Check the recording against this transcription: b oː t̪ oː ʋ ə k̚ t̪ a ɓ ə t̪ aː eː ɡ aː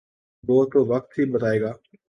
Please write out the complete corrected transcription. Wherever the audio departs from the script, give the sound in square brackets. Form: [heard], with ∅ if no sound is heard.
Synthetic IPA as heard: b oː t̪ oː ʋ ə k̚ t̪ [i] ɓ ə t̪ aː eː ɡ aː

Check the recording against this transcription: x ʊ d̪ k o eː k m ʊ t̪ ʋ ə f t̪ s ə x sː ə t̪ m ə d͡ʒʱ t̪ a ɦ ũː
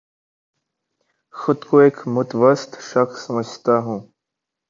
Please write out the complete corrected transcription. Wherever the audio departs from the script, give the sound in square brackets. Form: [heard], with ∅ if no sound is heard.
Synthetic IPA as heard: x ʊ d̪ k o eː k m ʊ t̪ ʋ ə [s] t̪ [ʃ] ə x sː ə [∅] m ə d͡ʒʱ t̪ a ɦ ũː

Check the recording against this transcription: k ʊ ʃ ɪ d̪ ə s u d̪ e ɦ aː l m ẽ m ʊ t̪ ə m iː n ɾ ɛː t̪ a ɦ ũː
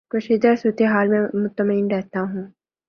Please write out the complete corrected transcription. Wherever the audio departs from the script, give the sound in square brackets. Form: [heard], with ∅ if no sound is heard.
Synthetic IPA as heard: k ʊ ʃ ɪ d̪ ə s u [t̪] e ɦ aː l m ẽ m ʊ t̪ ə m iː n ɾ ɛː t̪ a ɦ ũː

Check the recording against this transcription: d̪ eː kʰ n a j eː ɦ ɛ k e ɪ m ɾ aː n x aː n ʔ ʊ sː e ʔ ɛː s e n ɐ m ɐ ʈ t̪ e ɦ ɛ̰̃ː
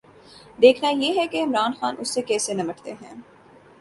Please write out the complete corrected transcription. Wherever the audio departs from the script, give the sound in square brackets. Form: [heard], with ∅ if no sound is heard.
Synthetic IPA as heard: d̪ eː kʰ n a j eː ɦ ɛ k e ɪ m ɾ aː n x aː n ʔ ʊ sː e [k] ɛː s e n ɐ m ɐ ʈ t̪ e ɦ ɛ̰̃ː

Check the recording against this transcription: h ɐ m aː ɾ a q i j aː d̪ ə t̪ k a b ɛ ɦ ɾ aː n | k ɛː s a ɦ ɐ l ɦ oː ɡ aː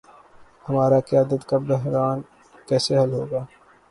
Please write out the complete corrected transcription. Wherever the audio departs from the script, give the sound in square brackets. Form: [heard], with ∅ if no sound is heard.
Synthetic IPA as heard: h ɐ m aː ɾ a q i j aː d̪ ə t̪ k a b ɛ ɦ ɾ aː n | k ɛː s [e] ɦ ɐ l ɦ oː ɡ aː

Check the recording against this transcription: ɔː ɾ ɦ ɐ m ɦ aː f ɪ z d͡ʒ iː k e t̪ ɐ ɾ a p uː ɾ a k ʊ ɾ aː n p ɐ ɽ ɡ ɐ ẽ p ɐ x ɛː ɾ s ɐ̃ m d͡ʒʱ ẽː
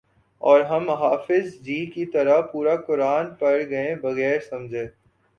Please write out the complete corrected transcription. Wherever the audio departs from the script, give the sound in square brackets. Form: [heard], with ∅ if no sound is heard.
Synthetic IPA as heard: ɔː ɾ ɦ ɐ m ɦ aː f ɪ z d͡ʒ iː k [i] t̪ ɐ ɾ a p uː ɾ a k ʊ ɾ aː n p ɐ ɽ ɡ ɐ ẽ [b] ɐ [ɣ] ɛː ɾ s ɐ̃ m d͡ʒʱ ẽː

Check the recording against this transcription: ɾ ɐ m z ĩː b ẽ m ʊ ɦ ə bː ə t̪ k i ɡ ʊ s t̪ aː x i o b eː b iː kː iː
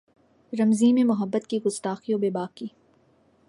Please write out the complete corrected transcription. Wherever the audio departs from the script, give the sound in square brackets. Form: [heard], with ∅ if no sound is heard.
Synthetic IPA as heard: ɾ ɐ m z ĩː [m] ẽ m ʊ ɦ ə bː ə t̪ k i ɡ ʊ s t̪ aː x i o b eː b [aː] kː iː

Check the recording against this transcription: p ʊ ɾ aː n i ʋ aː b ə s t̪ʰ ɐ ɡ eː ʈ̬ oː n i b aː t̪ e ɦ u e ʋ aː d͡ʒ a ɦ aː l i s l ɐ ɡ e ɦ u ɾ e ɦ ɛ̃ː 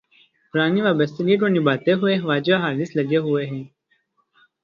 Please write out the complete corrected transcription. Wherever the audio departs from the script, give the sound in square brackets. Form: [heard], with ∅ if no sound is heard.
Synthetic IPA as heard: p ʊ ɾ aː n i ʋ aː b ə s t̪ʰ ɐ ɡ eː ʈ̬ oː n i b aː t̪ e ɦ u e ʋ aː d͡ʒ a ɦ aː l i s l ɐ ɡ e ɦ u [∅] e ɦ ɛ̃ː

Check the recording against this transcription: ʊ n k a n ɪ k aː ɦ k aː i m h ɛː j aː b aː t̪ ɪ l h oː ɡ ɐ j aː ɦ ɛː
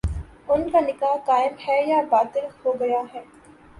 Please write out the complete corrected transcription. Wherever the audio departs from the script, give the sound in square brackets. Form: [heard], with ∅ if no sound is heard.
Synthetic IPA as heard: ʊ n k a n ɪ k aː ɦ k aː [ɪ] m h ɛː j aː b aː t̪ ɪ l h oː ɡ ɐ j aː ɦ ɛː

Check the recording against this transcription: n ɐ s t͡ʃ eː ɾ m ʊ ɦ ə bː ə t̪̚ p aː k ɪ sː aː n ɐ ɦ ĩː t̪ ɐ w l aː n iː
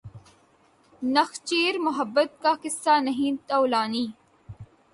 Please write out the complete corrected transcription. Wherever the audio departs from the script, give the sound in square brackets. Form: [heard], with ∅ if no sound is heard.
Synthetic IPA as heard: n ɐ [x] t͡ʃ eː ɾ m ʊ ɦ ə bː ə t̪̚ [k] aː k ɪ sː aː n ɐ ɦ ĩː t̪ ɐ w l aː n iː

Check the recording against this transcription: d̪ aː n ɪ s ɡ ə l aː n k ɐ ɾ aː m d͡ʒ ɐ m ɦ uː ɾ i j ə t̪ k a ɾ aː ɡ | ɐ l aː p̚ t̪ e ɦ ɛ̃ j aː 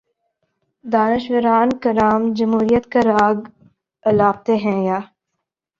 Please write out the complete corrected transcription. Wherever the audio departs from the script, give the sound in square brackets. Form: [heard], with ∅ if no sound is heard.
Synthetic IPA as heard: d̪ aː n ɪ [ʃ] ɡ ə [ɾ] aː n k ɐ ɾ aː m d͡ʒ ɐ m ɦ uː ɾ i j ə t̪ k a ɾ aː ɡ | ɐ l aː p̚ t̪ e ɦ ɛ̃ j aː

